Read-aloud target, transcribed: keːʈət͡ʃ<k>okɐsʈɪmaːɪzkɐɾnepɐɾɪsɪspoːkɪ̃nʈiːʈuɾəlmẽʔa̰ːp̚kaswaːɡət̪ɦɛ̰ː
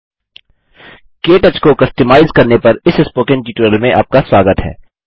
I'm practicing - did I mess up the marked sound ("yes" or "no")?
no